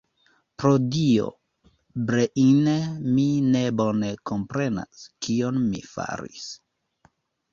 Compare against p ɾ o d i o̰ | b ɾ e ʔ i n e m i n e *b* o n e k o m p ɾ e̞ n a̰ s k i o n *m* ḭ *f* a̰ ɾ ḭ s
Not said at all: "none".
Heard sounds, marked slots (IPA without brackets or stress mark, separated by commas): b, m, f